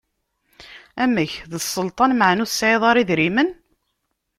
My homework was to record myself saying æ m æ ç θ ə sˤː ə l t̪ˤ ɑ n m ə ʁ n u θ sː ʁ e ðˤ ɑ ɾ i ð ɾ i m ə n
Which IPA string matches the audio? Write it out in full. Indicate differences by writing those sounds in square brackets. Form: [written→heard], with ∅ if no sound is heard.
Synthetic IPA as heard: æ m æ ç [θ→ð] ə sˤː ə l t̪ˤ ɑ n m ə [ʁ→ʕ] n u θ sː [ʁ→ʕ] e ðˤ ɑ ɾ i ð ɾ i m ə n